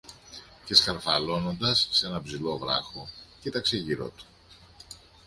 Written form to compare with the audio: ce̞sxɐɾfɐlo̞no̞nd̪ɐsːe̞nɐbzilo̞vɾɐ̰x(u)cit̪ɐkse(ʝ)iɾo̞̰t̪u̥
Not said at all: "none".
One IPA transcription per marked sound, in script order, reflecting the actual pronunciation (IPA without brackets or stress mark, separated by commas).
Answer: o, ʝ